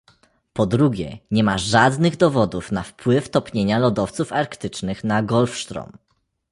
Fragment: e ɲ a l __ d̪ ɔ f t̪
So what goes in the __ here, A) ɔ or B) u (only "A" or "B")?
A